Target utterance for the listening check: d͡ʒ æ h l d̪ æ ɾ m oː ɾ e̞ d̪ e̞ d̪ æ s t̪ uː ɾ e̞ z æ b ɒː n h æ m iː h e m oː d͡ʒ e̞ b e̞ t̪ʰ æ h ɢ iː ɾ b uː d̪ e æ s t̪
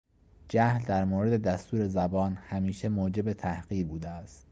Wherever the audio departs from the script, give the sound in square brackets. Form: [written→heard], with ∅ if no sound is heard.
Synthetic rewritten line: d͡ʒ æ h l d̪ æ ɾ m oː ɾ e̞ d̪ e̞ d̪ æ s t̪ uː ɾ e̞ z æ b ɒː n h æ m iː [h→ʃ] e m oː d͡ʒ e̞ b e̞ t̪ʰ æ h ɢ iː ɾ b uː d̪ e æ s t̪